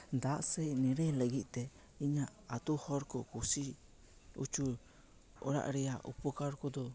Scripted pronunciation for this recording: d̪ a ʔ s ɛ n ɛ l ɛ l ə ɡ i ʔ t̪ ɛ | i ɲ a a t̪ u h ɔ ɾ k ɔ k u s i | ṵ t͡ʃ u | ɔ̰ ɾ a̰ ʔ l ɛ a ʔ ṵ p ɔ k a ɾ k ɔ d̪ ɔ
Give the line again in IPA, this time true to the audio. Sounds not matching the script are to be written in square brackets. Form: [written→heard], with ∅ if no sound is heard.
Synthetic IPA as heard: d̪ a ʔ s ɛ n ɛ [l→ɾ] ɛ l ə ɡ i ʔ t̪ ɛ | i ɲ a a t̪ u h ɔ ɾ k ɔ k u s i | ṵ t͡ʃ u | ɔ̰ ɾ a̰ ʔ [l→ɾ] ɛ a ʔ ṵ p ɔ k a ɾ k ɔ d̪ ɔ

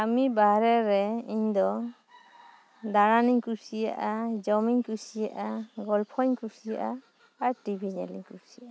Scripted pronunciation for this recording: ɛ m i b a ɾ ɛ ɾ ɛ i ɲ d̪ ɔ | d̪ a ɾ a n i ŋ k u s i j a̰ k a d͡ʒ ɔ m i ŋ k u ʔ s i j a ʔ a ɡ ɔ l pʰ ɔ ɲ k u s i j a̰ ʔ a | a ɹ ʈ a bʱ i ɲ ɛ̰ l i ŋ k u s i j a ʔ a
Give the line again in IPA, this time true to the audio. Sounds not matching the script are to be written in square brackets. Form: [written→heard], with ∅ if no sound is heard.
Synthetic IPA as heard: [ɛ→a] m i b a ɾ ɛ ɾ ɛ i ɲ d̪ ɔ | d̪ a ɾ a n i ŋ k u s i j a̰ [k→ʔ] a d͡ʒ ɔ m i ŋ k u [ʔ→∅] s i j a ʔ a ɡ ɔ l pʰ ɔ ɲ k u s i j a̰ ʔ a | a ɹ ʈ [a→i] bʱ i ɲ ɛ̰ l i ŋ k u s i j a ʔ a

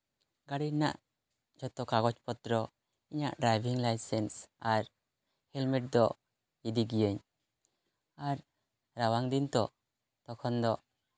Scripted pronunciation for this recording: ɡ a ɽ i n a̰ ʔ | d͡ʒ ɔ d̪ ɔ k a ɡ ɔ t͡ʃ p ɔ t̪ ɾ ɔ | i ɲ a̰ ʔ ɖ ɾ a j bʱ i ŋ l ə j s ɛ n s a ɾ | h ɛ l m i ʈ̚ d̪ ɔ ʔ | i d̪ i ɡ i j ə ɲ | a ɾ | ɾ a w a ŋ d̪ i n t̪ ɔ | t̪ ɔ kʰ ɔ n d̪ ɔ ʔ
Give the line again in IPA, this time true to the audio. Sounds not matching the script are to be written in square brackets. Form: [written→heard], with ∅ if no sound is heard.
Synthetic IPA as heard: ɡ a ɽ i n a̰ ʔ | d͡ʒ ɔ [d̪→t̪] ɔ k a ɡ ɔ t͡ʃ p ɔ t̪ ɾ ɔ | i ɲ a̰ ʔ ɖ ɾ a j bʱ i ŋ l [ə→a] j s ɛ n s a ɾ | h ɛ l m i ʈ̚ d̪ ɔ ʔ | i d̪ i ɡ i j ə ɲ | a ɾ | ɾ a w a ŋ d̪ i n t̪ ɔ | t̪ ɔ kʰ ɔ n d̪ ɔ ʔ

